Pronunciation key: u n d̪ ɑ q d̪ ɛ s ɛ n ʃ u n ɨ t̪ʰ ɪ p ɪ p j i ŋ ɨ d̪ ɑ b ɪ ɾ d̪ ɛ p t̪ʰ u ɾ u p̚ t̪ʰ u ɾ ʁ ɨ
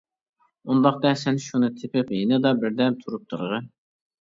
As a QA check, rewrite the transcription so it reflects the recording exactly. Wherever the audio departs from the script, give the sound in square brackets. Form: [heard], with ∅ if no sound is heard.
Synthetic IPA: u n d̪ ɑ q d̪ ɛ s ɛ n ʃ u n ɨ t̪ʰ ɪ p ɪ p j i [n] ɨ d̪ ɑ b ɪ ɾ d̪ ɛ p t̪ʰ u ɾ u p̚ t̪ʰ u ɾ ʁ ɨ